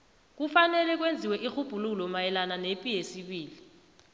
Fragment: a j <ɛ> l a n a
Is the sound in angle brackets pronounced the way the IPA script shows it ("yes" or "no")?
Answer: yes